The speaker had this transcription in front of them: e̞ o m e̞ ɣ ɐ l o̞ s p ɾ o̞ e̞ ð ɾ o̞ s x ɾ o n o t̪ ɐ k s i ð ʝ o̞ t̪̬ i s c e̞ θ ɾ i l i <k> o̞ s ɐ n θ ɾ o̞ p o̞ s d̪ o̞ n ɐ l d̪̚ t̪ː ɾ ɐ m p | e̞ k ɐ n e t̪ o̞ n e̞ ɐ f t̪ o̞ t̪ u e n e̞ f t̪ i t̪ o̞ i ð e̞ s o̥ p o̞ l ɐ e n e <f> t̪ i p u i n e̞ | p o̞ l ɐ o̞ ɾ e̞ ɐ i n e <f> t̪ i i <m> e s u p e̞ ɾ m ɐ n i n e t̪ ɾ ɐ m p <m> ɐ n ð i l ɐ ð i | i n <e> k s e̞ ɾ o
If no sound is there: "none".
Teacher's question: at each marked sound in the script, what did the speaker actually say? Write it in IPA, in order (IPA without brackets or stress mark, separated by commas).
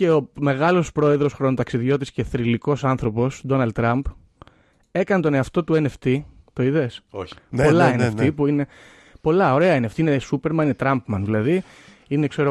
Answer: k, f, f, n, m, e